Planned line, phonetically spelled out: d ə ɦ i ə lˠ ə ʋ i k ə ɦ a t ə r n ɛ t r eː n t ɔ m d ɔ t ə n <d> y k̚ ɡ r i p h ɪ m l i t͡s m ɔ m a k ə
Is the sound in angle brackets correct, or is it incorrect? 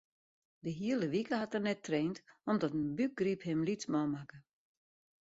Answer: incorrect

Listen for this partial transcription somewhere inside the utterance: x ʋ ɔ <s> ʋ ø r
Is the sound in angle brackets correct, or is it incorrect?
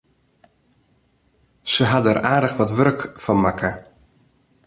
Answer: incorrect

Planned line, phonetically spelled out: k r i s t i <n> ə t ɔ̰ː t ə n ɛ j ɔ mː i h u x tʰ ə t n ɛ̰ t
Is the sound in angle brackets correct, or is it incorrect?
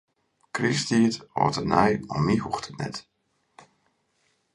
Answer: incorrect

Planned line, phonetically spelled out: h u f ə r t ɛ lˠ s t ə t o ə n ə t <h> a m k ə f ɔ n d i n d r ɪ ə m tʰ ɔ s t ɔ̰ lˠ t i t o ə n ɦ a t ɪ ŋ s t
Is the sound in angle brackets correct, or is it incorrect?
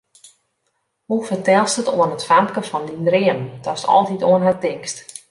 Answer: incorrect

